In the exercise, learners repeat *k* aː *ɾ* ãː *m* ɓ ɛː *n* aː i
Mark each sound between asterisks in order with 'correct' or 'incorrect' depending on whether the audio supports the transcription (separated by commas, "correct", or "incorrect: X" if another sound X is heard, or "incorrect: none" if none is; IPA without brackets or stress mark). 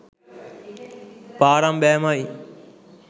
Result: incorrect: p, correct, correct, incorrect: m